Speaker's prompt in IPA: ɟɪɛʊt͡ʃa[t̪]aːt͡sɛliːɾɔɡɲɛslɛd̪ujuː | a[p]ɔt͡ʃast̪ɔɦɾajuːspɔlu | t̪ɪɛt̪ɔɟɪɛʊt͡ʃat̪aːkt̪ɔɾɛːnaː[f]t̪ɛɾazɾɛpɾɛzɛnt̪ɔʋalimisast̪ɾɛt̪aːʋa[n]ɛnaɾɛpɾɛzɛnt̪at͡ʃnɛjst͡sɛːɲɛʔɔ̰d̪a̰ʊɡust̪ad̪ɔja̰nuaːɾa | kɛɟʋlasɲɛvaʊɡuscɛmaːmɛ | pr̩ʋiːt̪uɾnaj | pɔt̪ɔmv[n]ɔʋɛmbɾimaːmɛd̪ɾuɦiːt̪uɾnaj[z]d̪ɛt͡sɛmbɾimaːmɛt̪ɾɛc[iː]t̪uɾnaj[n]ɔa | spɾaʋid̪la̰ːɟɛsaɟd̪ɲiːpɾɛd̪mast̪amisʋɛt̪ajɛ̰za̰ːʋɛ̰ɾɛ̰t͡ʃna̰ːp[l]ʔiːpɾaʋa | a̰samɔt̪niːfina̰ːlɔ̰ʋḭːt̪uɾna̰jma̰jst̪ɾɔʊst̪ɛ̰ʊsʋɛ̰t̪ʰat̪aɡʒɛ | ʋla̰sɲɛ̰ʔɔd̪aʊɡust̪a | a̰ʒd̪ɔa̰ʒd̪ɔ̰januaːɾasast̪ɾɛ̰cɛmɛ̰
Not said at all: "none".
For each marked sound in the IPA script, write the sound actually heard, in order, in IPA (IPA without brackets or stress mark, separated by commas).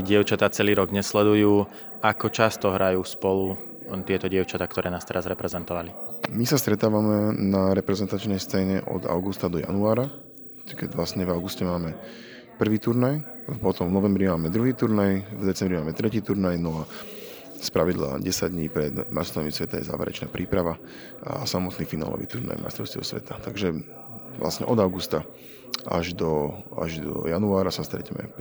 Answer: t̪, k, s, m, n, v, iː, n, ɾ